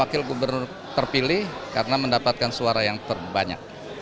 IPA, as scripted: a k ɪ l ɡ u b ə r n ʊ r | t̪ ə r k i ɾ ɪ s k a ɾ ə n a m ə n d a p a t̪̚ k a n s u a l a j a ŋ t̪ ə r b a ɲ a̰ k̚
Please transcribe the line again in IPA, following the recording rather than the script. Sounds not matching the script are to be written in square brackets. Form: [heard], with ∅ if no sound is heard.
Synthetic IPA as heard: a k ɪ l ɡ u b ə r n ʊ r | t̪ ə r [p] i [l] ɪ [h] k a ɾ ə n a m ə n d a p a t̪̚ k a n s u a [ɾ] a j a ŋ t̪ ə r b a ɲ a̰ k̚